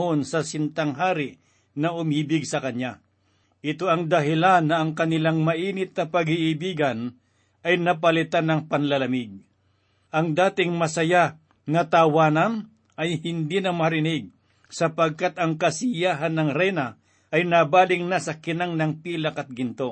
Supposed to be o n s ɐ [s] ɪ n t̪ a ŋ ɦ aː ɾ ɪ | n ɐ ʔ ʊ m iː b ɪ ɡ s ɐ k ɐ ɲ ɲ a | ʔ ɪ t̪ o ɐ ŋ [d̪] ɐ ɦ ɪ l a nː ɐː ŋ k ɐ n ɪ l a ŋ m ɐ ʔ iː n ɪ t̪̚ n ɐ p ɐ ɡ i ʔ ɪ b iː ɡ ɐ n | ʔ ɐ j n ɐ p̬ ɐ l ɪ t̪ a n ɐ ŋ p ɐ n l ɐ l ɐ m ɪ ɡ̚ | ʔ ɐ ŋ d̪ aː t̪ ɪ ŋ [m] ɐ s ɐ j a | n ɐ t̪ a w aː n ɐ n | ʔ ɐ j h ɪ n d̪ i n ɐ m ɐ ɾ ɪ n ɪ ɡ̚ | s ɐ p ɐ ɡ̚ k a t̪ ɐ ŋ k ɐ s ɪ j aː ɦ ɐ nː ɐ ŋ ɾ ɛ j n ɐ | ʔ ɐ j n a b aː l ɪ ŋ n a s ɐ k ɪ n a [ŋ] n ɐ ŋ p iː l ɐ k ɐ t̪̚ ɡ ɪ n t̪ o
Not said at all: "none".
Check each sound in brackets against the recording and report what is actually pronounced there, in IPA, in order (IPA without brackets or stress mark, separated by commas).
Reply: s, d̪, m, ŋ